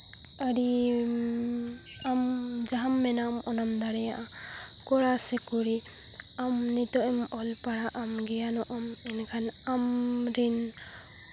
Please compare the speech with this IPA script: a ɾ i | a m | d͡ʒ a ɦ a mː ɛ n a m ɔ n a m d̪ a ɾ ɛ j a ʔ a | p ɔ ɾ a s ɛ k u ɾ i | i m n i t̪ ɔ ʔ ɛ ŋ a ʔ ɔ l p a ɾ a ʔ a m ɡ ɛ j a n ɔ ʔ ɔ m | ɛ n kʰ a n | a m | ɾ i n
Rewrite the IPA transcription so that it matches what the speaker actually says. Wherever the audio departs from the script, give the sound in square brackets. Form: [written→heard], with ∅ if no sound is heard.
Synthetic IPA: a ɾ i | a m | d͡ʒ a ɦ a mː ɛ n a m ɔ n a m d̪ a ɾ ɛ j a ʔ a | [p→k] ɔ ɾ a s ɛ k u ɾ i | [i→a] m n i t̪ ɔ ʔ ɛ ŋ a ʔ ɔ l p a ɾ a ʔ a m ɡ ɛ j a n ɔ ʔ ɔ m | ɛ n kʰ a n | a m | ɾ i n

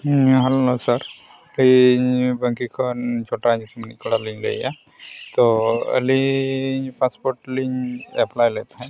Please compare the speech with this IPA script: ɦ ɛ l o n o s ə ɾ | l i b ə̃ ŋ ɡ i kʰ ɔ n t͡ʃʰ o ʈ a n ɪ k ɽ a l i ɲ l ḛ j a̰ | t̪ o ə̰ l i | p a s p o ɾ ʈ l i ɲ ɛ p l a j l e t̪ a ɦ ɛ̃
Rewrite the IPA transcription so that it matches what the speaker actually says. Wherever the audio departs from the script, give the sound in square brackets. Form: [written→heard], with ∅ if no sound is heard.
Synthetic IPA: ɦ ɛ l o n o s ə ɾ | l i b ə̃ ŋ [ɡ→k] i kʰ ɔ n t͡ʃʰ o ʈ a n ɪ k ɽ a l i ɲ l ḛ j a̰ | t̪ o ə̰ l i | p a s p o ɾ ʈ l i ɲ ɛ p l a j l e t̪ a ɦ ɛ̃

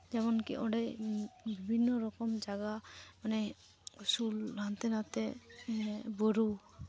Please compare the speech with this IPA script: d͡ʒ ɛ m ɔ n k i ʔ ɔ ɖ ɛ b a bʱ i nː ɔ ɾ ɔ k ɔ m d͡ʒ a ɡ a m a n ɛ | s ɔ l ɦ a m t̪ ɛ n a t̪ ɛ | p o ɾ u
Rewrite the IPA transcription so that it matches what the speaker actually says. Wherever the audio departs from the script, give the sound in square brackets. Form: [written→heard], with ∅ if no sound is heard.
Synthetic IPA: d͡ʒ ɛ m ɔ n k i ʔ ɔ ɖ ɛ b [a→i] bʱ i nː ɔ ɾ ɔ k ɔ m d͡ʒ a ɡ a m a n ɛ | s [ɔ→u] l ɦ a [m→n] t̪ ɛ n a t̪ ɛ | [p→b] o ɾ u

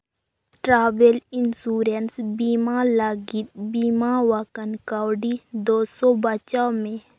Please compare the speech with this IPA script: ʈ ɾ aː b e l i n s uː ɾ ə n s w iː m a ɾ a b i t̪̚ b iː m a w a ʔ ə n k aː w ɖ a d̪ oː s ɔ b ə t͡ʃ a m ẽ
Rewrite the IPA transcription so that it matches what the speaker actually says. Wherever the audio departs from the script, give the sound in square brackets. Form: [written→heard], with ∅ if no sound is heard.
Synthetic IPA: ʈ ɾ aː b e l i n s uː ɾ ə n s [w→b] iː m a [ɾ→l] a [b→ɡ] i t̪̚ b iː m a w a [ʔ→k] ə n k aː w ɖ [a→i] d̪ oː s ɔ b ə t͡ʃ a m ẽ

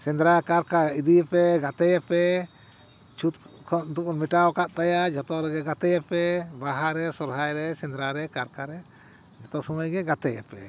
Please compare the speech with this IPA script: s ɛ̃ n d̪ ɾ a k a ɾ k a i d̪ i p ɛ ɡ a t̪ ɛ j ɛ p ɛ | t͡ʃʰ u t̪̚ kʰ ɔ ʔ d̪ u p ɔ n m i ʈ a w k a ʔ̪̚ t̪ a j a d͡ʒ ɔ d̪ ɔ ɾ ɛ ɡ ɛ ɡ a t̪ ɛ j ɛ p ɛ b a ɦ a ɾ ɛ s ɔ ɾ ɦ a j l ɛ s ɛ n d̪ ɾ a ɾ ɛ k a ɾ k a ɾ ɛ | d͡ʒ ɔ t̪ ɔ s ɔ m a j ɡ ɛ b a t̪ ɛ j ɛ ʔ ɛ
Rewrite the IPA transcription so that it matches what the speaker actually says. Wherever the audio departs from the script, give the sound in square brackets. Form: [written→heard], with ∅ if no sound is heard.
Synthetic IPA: s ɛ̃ n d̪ ɾ a k a ɾ k a i d̪ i p ɛ ɡ a t̪ ɛ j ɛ p ɛ | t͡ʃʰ u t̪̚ kʰ ɔ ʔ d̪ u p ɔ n m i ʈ a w k a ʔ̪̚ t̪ a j a d͡ʒ ɔ [d̪→t̪] ɔ ɾ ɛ ɡ ɛ ɡ a t̪ ɛ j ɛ p ɛ b a ɦ a ɾ ɛ s ɔ ɾ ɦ a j [l→ɾ] ɛ s ɛ n d̪ ɾ a ɾ ɛ k a ɾ k a ɾ ɛ | d͡ʒ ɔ t̪ ɔ s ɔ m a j ɡ ɛ [b→ɡ] a t̪ ɛ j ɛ [ʔ→p] ɛ

